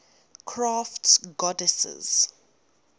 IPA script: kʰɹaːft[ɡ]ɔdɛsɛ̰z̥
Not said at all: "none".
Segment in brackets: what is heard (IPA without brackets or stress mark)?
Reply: ɡ